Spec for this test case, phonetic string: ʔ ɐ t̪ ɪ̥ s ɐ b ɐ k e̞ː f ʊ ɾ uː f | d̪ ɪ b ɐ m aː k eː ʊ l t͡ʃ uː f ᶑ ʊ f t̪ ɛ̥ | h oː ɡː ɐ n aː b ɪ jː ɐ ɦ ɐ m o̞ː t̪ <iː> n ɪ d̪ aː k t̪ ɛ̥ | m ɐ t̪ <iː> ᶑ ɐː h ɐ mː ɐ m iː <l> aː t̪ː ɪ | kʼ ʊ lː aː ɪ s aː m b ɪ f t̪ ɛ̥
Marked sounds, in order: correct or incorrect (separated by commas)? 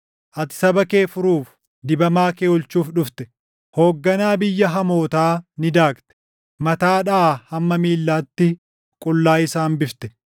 incorrect, incorrect, incorrect